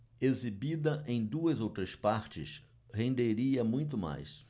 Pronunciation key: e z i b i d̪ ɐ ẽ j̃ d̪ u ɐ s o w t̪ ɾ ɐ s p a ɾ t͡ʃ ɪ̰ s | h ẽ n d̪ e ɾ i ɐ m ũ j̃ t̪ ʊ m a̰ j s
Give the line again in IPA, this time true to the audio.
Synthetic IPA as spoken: e z i b i d̪ ɐ ẽ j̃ d̪ u ɐ z o w t̪ ɾ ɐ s p a ɾ t͡ʃ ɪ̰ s | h ẽ n d̪ e ɾ i ɐ m ũ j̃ t̪ ʊ m a̰ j s